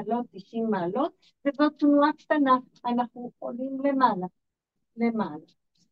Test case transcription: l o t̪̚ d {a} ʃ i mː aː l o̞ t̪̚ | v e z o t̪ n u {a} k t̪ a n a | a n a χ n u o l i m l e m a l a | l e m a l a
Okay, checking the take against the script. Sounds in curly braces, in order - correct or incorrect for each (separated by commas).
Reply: incorrect, correct